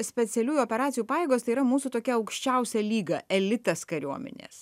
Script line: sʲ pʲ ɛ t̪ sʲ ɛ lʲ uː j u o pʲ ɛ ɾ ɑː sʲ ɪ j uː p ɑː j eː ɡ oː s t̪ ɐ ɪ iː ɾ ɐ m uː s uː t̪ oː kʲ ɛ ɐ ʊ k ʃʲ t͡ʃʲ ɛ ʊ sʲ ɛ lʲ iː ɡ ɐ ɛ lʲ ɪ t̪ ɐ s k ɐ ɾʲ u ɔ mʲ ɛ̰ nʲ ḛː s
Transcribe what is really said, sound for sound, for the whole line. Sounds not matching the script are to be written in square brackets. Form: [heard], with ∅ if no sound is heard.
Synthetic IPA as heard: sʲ pʲ ɛ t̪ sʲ ɛ lʲ uː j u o pʲ ɛ ɾ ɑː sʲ ɪ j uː p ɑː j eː ɡ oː s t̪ ɐ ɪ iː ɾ ɐ m uː s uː t̪ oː kʲ ɛ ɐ ʊ k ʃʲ t͡ʃʲ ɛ ʊ sʲ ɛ lʲ iː ɡ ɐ ɛ lʲ ɪ t̪ ɐ s k ɐ ɾʲ u ɔ mʲ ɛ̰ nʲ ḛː s